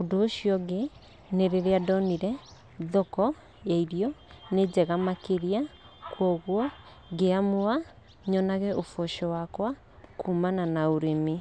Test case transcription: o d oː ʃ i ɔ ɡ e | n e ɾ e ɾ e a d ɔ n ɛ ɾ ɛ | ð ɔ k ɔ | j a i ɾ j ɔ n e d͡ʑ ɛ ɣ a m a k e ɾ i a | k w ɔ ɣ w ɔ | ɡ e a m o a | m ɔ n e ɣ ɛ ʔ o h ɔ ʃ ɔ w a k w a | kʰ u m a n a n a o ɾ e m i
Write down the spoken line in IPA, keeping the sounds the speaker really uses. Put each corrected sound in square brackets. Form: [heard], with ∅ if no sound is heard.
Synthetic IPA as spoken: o d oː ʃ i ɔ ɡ e | n e ɾ e ɾ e a d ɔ n [i] ɾ ɛ | ð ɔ k ɔ | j a i ɾ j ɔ n e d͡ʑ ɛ ɣ a m a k e ɾ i a | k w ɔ ɣ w ɔ | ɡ e a m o a | [ɲ] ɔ n [a] ɣ ɛ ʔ o [f] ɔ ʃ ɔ w a k w a | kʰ u m a n a n a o ɾ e m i